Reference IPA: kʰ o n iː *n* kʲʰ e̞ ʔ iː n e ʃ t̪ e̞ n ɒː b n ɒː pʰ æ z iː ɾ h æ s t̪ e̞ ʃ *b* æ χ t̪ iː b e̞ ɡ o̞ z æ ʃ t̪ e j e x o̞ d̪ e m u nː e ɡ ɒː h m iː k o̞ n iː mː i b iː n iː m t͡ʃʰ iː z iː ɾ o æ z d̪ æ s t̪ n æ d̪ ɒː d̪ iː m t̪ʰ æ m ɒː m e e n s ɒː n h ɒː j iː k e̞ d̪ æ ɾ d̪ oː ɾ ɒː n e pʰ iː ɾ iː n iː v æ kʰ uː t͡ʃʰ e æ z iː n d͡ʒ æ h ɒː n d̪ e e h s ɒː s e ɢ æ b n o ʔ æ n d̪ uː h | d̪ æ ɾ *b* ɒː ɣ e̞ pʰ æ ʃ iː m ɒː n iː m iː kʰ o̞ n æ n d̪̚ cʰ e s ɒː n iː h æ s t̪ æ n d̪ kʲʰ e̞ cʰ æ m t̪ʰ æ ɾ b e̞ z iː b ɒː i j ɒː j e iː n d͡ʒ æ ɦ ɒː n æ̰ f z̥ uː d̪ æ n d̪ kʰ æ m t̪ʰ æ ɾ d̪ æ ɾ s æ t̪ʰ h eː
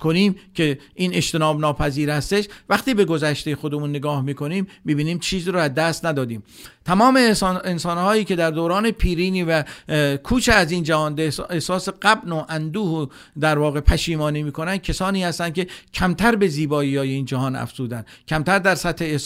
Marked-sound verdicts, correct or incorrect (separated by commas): incorrect, incorrect, incorrect